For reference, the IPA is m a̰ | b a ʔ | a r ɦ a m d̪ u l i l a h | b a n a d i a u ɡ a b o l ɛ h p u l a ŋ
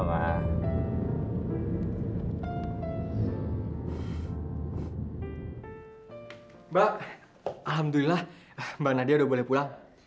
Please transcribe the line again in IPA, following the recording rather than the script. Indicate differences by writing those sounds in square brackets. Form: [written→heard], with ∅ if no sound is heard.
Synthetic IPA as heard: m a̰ | b a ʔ | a [r→l] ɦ a m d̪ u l i l a h | b a n a d i a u [ɡ→d] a b o l ɛ h p u l a ŋ